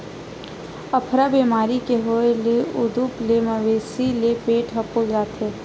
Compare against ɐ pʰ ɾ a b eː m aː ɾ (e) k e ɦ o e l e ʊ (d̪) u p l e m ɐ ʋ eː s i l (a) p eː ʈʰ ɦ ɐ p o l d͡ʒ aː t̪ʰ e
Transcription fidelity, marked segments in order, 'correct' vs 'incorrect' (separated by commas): incorrect, correct, incorrect